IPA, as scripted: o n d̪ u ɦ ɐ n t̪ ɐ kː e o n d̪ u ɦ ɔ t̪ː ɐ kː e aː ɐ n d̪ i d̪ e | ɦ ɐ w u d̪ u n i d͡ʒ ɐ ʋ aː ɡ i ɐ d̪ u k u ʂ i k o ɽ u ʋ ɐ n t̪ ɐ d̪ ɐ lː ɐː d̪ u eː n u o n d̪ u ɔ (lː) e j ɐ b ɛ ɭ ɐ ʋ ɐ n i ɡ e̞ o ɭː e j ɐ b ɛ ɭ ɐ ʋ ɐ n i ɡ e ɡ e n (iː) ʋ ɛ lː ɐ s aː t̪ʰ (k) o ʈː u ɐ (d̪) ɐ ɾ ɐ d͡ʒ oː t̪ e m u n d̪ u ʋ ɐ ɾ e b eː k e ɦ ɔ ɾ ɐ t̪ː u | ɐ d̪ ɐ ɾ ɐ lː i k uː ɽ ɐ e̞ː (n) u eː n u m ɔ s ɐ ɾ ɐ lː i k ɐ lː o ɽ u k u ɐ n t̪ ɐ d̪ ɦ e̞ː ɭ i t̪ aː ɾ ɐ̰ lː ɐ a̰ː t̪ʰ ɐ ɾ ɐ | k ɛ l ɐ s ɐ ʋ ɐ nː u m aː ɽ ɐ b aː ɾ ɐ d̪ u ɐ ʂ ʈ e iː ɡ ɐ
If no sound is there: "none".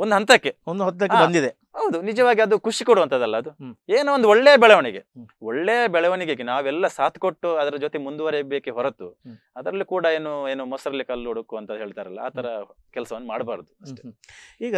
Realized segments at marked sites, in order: ɭː, aː, k, d̪, n

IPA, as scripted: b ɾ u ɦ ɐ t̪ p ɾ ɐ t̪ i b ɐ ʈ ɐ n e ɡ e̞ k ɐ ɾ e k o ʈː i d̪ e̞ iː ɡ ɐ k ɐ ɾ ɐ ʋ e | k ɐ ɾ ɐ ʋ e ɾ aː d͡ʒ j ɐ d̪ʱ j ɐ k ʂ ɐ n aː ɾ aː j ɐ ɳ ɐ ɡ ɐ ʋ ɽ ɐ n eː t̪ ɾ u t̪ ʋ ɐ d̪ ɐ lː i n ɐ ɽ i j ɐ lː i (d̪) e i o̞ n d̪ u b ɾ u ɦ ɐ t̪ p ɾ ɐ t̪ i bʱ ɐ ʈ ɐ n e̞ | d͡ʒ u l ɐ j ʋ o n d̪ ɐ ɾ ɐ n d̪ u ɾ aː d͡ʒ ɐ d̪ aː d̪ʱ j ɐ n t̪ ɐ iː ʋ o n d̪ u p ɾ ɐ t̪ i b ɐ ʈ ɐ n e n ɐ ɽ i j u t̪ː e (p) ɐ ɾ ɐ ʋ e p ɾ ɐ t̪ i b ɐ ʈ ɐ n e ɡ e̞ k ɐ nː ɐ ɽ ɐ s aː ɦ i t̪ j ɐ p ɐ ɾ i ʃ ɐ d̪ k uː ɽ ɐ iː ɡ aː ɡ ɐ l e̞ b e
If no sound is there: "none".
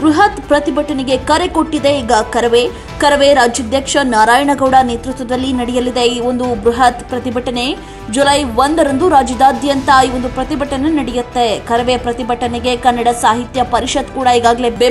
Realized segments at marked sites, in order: d̪, k

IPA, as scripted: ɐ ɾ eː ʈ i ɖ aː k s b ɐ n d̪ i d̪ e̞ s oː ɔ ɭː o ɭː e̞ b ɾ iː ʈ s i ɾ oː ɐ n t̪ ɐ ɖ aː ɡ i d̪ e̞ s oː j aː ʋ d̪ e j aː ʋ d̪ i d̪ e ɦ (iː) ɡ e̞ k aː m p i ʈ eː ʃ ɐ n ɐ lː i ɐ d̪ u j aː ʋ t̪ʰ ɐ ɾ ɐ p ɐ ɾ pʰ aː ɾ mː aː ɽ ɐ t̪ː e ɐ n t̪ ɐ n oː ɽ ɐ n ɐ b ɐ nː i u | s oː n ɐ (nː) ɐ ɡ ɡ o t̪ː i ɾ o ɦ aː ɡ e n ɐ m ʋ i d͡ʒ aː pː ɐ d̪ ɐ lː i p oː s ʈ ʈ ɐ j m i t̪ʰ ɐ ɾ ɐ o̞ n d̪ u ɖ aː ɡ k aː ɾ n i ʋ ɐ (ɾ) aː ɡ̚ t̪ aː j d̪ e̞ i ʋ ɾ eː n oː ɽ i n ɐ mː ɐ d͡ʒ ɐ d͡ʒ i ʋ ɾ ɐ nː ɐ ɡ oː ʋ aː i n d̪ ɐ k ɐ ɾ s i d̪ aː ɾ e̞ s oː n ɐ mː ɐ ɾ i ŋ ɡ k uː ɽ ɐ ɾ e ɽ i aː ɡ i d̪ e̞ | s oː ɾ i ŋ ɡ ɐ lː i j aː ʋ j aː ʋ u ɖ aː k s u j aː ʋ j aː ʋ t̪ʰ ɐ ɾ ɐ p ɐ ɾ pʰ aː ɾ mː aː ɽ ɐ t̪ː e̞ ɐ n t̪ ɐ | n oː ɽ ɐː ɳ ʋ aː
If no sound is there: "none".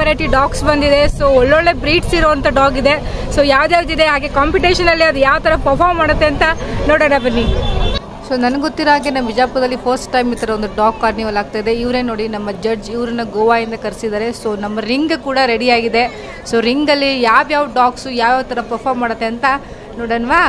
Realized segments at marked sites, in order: aː, n, l

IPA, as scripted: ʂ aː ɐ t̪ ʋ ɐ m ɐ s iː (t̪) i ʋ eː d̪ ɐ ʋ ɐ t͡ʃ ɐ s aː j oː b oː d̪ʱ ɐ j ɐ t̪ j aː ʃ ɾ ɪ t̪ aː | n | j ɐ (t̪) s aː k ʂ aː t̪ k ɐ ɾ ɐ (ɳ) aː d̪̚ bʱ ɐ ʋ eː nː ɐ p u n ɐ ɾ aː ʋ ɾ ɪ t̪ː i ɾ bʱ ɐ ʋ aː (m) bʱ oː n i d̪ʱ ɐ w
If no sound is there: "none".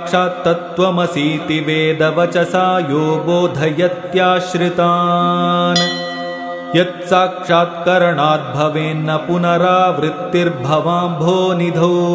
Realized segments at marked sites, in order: t̪, t̪, ɳ, m

